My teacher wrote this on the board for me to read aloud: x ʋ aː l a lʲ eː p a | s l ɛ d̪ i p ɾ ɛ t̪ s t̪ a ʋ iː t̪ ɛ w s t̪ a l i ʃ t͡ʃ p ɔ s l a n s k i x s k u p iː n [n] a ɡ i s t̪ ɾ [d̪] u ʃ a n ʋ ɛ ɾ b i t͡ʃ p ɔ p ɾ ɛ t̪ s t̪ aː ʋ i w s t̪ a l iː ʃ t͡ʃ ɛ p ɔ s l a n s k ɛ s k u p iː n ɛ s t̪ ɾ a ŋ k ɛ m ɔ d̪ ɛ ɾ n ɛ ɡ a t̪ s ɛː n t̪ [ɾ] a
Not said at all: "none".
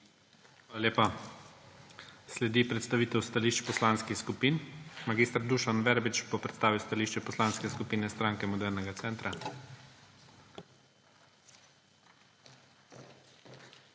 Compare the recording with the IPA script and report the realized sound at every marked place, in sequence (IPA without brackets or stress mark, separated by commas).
m, d̪, ɾ